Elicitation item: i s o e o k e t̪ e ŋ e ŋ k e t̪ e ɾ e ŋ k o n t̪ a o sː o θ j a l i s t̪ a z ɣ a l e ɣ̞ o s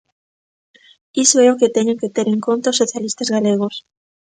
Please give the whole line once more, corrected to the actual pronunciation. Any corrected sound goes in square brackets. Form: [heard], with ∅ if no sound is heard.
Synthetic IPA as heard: i s o e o k e t̪ e [ɲ] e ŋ k e t̪ e ɾ e ŋ k o n t̪ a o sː o θ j a l i s t̪ a z ɣ a l e ɣ̞ o s